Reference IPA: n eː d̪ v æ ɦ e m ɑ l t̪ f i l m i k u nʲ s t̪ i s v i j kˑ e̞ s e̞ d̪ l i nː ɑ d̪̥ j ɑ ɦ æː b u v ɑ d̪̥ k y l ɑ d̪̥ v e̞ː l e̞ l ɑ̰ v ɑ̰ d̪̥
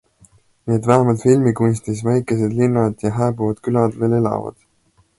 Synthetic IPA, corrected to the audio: n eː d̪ v æ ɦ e m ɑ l t̪ f i l m i k u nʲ s t̪ i s v æ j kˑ e̞ s e̞ d̪ l i nː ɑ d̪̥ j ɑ ɦ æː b u v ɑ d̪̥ k y l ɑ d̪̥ v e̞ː l e̞ l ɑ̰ v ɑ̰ d̪̥